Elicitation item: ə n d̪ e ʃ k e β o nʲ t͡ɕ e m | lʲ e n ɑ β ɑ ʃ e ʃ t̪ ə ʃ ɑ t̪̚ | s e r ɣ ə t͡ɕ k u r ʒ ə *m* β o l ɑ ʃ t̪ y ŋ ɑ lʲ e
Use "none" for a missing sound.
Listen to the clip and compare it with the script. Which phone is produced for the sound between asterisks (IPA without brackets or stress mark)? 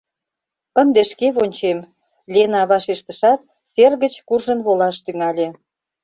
n